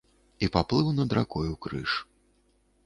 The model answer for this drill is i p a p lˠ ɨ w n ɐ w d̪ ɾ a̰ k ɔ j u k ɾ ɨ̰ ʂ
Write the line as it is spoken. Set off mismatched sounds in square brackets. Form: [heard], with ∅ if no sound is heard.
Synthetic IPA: i p a p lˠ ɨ w n ɐ [∅] d̪ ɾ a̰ k ɔ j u k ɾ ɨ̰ ʂ